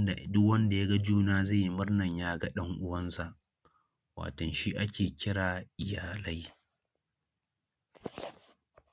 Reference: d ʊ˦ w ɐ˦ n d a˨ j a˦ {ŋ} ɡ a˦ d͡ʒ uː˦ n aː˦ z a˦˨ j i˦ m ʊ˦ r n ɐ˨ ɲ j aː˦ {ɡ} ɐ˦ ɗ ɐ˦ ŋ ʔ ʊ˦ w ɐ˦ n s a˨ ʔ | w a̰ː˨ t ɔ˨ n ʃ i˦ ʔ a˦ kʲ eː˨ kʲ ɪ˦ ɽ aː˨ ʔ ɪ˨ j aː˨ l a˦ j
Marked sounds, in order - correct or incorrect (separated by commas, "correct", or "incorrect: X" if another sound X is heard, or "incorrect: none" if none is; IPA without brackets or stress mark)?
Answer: incorrect: none, correct